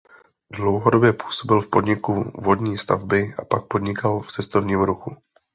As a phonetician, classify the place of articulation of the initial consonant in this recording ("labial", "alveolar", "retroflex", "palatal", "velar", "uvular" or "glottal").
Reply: alveolar